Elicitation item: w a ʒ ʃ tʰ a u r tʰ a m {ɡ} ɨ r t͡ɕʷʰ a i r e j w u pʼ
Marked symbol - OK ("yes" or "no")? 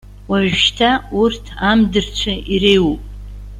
no